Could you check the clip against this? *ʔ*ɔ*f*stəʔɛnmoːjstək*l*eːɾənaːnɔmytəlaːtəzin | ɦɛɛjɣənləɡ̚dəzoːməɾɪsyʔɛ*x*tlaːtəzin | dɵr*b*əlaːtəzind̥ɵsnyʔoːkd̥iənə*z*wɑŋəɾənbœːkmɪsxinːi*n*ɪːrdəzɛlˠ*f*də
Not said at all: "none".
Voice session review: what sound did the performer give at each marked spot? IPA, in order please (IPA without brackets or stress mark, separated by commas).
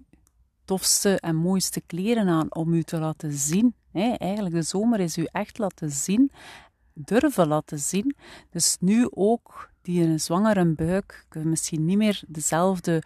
t, f, l, x, v, z, m, v